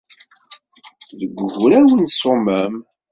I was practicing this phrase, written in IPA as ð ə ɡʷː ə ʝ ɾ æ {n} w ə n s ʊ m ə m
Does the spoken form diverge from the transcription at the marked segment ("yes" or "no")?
yes